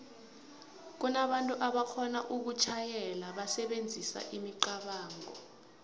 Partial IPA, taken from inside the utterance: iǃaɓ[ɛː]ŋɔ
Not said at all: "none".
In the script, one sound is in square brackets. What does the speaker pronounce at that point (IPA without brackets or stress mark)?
aː